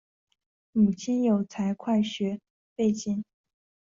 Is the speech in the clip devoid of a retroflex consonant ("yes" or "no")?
yes